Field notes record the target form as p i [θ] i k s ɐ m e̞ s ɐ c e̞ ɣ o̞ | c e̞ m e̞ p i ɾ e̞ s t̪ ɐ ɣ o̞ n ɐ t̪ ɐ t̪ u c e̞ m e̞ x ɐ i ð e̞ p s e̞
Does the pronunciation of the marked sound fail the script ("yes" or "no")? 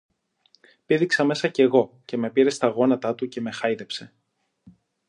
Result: yes